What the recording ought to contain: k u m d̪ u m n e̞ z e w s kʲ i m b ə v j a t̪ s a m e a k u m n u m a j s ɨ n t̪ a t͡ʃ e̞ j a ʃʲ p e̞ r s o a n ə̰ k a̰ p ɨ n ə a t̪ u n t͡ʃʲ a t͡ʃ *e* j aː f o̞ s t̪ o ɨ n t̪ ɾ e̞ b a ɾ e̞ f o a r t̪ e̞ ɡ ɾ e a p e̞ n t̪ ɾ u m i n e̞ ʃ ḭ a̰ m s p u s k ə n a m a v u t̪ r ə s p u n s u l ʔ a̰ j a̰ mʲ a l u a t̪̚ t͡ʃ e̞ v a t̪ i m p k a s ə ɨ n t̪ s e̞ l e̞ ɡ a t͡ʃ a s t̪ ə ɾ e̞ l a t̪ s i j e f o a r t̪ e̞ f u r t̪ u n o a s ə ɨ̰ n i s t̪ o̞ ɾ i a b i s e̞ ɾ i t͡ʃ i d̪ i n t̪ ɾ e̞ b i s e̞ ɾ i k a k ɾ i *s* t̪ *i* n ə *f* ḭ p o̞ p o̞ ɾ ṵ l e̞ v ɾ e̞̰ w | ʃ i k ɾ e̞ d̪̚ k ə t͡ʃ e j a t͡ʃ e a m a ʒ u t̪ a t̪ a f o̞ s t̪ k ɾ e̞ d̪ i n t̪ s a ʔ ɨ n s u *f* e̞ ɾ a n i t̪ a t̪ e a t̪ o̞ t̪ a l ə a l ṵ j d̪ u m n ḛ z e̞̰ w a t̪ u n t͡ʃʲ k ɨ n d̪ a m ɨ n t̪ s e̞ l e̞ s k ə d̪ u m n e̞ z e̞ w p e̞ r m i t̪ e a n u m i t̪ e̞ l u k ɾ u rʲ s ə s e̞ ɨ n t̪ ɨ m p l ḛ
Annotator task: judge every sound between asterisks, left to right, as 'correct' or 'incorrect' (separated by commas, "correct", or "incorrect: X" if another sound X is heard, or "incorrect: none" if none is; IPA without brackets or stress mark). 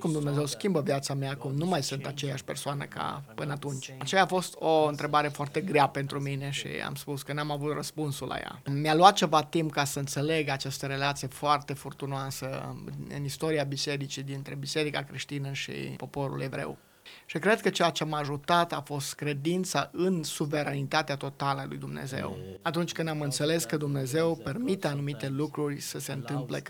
correct, incorrect: ʃ, correct, incorrect: ʃ, incorrect: v